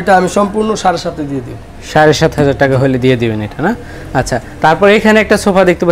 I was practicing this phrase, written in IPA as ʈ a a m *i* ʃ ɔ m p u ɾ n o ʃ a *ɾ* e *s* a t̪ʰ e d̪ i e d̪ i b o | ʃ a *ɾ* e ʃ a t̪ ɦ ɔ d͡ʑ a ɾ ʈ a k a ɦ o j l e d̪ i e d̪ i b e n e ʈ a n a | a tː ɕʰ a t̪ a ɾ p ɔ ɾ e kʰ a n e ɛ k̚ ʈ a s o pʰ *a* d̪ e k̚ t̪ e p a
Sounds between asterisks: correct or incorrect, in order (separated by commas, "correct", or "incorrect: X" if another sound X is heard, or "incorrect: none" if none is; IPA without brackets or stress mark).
correct, correct, incorrect: ʃ, correct, correct